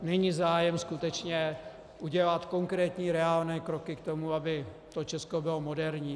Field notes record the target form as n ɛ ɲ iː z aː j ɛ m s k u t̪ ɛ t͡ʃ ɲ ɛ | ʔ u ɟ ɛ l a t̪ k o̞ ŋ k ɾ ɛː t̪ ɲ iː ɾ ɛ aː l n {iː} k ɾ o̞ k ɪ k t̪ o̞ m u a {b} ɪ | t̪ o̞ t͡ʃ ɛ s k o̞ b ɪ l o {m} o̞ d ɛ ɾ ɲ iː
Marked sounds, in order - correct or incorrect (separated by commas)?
incorrect, correct, correct